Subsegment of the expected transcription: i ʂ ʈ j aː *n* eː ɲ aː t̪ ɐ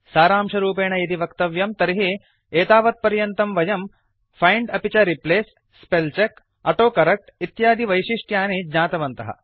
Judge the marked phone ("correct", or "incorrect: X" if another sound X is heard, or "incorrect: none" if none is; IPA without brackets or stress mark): correct